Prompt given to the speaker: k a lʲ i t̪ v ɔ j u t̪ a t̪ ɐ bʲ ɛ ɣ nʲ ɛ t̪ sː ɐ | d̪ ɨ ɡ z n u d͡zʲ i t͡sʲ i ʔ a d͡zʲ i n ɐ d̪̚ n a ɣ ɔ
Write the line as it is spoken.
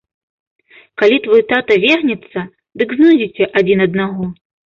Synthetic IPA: k a lʲ i t̪ v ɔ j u t̪ a t̪ ɐ vʲ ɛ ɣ nʲ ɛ t̪ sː ɐ | d̪ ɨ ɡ z n u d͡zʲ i t͡sʲ ɛ ʔ a d͡zʲ i n ɐ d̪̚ n a ɣ ɔ